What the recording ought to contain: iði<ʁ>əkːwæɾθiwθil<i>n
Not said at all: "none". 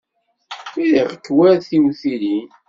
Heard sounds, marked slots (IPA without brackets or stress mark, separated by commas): ʁ, i